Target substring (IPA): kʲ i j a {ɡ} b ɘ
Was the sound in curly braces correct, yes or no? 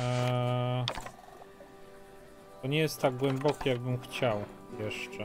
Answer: yes